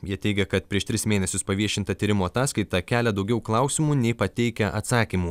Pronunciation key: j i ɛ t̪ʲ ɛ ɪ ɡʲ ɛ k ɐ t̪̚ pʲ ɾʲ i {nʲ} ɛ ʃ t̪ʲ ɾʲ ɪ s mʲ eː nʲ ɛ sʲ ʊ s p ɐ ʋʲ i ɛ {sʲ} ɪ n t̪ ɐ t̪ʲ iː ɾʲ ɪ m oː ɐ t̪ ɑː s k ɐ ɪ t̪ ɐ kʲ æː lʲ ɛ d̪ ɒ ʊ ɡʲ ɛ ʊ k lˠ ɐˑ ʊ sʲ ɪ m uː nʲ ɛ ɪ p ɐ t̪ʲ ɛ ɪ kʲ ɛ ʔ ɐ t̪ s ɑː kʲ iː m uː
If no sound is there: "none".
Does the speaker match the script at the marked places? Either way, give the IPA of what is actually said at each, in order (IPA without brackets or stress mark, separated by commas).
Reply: none, ʃʲ